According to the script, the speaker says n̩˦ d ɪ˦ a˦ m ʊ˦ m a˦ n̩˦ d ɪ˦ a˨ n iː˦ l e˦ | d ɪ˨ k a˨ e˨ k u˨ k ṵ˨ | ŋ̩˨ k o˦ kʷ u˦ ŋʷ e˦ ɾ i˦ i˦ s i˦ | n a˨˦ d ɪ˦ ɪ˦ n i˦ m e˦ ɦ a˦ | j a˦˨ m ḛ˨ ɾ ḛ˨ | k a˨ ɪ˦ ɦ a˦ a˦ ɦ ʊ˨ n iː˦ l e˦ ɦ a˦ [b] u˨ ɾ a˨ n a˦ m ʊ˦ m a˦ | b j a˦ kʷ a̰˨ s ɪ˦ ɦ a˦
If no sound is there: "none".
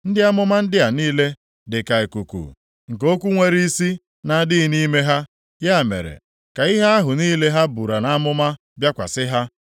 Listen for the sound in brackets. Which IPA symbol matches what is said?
b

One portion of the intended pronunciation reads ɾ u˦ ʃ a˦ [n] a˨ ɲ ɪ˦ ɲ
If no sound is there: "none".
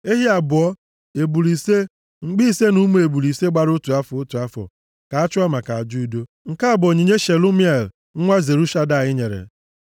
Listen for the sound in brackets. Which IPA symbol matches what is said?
d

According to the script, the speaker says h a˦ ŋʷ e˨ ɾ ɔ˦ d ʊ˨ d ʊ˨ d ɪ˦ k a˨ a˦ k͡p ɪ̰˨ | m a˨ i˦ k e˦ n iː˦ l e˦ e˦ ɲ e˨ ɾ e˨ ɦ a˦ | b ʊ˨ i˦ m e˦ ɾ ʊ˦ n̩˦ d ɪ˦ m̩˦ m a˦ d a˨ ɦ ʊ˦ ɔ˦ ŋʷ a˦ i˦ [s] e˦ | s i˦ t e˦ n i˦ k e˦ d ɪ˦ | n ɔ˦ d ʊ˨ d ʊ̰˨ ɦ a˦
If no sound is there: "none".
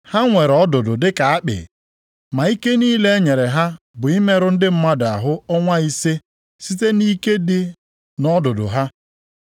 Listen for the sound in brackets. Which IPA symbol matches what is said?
s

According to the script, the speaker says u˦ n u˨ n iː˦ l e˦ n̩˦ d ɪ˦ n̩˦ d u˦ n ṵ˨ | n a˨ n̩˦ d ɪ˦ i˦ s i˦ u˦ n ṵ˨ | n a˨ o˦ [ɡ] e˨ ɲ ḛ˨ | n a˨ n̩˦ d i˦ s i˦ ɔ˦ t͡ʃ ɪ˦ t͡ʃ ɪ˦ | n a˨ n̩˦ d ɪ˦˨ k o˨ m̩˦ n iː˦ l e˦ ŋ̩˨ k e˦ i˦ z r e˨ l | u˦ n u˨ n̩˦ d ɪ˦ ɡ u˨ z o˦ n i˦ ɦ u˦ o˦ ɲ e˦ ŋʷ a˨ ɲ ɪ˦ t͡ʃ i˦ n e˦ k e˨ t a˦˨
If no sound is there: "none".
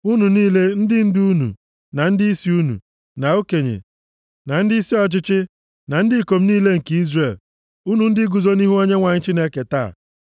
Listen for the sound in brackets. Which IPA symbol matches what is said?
k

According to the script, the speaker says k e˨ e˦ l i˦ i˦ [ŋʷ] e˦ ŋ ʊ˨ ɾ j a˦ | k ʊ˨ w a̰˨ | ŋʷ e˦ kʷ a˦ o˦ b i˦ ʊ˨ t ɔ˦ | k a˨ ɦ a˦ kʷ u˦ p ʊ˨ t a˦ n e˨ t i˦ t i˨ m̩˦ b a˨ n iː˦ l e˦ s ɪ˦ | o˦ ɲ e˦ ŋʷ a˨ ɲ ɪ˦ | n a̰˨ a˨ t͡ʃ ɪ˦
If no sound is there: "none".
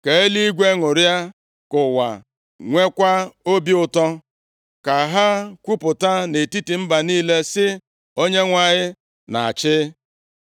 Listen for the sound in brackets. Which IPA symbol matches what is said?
ɡʷ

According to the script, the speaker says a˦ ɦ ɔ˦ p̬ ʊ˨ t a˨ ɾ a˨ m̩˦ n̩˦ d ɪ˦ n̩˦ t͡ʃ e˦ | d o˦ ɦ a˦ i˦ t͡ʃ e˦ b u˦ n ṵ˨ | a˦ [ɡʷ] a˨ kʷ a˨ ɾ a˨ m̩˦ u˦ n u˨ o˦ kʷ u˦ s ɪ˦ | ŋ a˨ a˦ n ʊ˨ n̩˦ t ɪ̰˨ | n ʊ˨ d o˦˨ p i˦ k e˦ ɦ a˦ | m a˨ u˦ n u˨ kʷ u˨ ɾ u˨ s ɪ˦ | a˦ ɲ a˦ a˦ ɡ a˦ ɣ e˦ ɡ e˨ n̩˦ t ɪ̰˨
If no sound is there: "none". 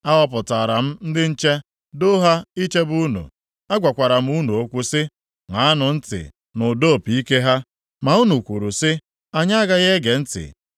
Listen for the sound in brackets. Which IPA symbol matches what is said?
ɡʷ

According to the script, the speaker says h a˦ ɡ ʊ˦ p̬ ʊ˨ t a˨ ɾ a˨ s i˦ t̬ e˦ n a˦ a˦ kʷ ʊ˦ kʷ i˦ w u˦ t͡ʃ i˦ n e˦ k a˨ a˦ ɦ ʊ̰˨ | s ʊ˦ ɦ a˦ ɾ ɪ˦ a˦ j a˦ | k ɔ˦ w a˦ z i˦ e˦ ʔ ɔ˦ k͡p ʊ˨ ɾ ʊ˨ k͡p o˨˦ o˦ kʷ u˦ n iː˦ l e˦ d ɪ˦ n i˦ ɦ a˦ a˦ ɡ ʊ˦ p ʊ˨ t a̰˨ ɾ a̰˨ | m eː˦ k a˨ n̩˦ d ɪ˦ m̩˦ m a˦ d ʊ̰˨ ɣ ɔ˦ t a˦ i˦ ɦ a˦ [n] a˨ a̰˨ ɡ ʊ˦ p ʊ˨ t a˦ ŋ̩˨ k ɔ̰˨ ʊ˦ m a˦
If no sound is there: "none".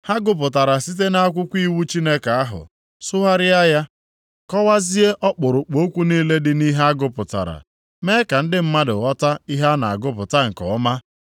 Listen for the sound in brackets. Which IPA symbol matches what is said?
n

